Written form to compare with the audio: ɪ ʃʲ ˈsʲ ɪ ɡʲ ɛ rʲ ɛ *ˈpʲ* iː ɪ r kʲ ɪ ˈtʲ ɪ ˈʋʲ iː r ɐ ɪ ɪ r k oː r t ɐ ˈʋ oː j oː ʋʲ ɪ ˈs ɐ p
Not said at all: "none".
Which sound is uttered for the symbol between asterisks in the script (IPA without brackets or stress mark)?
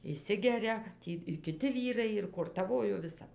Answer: tʲ